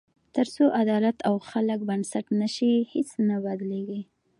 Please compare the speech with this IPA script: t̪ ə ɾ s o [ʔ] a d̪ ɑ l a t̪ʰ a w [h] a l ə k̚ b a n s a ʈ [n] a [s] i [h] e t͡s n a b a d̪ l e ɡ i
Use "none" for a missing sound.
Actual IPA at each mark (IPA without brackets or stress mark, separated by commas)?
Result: ʔ, x, n, ʃ, h